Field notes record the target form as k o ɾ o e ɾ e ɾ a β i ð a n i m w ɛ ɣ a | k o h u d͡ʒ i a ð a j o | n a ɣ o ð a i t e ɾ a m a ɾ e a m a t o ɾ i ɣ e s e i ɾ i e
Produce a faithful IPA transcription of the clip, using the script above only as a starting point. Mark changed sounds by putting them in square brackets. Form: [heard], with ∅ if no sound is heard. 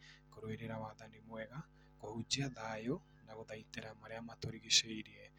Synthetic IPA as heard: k o ɾ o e ɾ e ɾ a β [a] ð a n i m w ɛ ɣ a | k o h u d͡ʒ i a ð a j o | n a ɣ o ð a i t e ɾ a m a ɾ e a m a t o ɾ i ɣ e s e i ɾ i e